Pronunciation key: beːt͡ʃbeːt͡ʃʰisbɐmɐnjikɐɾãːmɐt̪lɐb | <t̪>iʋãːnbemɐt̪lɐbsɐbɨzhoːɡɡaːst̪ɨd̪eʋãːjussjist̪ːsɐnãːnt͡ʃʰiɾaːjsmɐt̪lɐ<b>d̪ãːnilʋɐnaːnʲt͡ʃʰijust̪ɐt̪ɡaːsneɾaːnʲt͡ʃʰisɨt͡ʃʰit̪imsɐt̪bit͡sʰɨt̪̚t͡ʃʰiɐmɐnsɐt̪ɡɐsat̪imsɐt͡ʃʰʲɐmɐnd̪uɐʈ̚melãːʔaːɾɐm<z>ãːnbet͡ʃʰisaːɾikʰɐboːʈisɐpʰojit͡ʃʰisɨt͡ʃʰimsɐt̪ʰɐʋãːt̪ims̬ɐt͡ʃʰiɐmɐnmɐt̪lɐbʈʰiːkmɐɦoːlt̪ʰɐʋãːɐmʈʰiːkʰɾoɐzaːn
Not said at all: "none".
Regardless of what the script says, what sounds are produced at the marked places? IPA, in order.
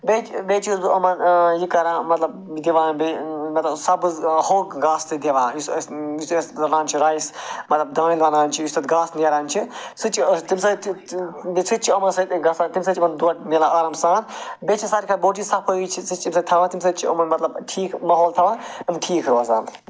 d̪, b, s

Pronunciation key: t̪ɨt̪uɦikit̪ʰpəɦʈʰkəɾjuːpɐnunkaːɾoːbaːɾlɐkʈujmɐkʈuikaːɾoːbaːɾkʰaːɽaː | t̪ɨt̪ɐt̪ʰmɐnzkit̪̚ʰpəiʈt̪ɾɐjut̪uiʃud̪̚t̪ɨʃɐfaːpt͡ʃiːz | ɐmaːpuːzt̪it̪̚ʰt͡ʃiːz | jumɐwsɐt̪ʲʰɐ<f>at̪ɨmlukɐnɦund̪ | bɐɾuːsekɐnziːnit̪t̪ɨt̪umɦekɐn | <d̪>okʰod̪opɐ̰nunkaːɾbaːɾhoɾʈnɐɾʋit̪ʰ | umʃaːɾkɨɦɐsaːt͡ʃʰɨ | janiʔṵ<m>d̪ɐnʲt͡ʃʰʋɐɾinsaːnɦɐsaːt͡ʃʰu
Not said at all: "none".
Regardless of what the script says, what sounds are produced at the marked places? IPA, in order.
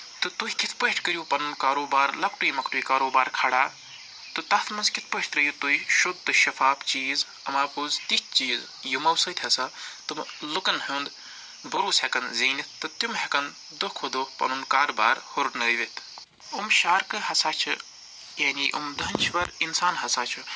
s, d̪, m

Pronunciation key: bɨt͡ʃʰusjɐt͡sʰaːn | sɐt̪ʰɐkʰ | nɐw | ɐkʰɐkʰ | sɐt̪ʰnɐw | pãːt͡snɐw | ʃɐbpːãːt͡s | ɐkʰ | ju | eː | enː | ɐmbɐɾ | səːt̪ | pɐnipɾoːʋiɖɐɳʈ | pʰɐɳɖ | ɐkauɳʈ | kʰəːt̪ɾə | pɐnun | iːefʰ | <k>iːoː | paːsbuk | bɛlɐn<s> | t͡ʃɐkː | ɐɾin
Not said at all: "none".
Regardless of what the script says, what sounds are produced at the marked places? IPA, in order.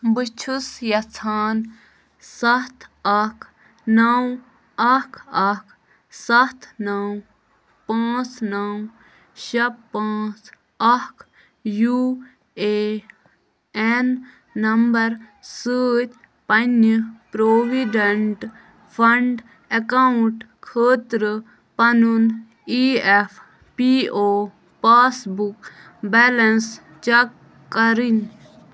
p, s

